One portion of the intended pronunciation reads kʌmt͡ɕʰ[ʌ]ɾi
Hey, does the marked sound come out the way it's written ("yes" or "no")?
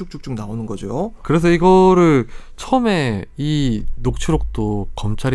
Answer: no